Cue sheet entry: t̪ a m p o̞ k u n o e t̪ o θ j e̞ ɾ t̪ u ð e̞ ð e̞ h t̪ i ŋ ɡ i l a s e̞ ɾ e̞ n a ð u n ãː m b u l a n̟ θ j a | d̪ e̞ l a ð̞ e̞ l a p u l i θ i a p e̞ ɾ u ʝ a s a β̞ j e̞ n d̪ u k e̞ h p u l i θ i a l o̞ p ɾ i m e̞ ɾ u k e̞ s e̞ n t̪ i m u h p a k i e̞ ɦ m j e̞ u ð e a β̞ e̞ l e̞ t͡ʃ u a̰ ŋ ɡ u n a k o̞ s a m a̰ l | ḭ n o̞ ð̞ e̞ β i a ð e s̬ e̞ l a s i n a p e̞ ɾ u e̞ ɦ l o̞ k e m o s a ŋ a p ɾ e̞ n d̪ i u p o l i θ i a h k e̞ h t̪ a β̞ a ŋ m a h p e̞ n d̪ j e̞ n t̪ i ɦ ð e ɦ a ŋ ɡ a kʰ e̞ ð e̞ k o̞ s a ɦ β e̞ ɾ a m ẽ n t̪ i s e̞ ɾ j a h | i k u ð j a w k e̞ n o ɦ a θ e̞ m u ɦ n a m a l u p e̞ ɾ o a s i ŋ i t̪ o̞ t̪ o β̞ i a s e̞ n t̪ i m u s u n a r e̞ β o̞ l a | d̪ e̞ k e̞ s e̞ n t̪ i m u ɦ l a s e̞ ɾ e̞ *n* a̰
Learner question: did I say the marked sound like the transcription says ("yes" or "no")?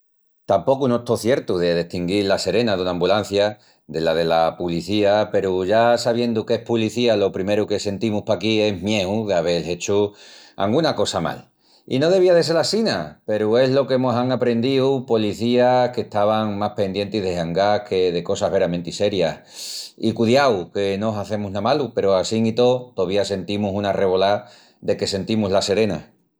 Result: yes